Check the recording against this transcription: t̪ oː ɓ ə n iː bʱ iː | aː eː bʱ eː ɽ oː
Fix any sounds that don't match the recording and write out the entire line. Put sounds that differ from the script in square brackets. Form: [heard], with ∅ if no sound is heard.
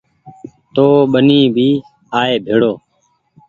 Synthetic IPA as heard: t̪ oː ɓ ə n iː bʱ iː | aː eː bʱ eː ɽ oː